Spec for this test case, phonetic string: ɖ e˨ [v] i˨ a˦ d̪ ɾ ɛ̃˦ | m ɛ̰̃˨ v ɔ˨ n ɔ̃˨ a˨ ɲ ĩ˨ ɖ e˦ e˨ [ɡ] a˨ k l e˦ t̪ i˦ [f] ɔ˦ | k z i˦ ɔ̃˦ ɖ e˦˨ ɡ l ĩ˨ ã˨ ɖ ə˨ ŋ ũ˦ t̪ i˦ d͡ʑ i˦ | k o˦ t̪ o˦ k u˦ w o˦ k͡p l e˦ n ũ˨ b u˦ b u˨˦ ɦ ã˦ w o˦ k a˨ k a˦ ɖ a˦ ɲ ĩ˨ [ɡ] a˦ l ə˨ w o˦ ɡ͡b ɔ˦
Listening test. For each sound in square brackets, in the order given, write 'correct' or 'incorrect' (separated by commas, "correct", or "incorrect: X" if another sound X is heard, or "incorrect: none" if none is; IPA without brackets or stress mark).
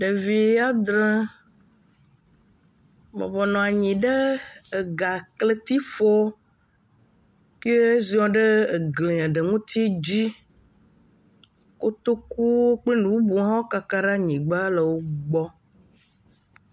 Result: correct, correct, correct, incorrect: ɡ͡b